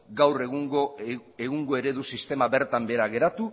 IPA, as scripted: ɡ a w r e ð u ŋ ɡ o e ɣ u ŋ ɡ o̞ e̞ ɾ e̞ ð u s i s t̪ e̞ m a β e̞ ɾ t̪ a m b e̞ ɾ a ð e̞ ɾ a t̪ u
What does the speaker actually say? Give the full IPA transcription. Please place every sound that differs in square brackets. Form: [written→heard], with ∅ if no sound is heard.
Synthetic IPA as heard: ɡ a w r e [ð→ɣ] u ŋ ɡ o e ɣ u ŋ ɡ o̞ e̞ ɾ e̞ ð u s i s t̪ e̞ m a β e̞ ɾ t̪ a m b e̞ ɾ a [ð→ɣ] e̞ ɾ a t̪ u